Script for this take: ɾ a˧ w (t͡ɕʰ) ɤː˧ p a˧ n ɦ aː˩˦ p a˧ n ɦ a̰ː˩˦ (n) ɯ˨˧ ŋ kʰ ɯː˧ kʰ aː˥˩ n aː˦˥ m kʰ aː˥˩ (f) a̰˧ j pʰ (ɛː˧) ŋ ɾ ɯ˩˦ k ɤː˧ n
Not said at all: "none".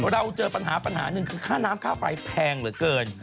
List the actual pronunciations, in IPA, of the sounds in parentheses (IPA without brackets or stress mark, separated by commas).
t͡ɕ, n, f, ɛː˧